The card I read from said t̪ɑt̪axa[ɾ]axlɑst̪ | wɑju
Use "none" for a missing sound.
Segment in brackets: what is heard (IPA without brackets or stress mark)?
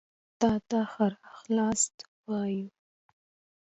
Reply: ɾ